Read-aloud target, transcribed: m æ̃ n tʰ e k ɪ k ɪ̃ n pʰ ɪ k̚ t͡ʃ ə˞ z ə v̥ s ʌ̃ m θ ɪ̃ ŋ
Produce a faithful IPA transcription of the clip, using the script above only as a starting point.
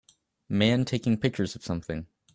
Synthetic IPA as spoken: m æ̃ n tʰ e ɪ k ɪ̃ ŋ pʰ ɪ k̚ t͡ʃ ə˞ z ʌ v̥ s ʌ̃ m θ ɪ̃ ŋ